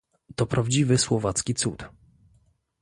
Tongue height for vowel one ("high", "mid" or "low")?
mid